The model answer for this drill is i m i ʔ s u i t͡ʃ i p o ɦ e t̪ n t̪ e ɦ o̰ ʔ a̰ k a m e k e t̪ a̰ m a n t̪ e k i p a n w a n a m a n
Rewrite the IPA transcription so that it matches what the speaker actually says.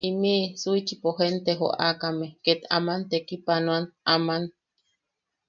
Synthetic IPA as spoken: i m i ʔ s u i t͡ʃ i p o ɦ e n t̪ e ɦ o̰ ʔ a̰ k a m e k e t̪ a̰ m a n t̪ e k i p a n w a n a m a n